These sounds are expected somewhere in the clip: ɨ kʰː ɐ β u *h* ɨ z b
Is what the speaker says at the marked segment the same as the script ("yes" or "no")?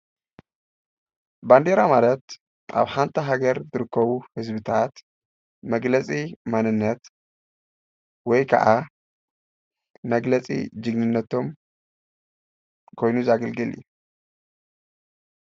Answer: yes